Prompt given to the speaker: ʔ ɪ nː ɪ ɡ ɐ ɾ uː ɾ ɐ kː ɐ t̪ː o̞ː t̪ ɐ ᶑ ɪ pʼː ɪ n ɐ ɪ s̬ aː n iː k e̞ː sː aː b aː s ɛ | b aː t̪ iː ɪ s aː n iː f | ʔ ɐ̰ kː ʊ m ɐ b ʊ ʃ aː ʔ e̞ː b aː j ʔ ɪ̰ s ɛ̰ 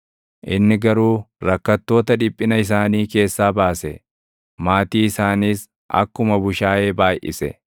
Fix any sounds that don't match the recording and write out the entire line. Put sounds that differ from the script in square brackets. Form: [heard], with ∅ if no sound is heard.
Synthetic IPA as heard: ʔ ɪ nː ɪ ɡ ɐ ɾ uː ɾ ɐ kː ɐ t̪ː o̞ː t̪ ɐ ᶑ ɪ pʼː ɪ n ɐ ɪ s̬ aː n iː k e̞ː sː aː b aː s ɛ | [m] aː t̪ iː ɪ s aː n iː [s] | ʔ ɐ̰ kː ʊ m ɐ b ʊ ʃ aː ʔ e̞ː b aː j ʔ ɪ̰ s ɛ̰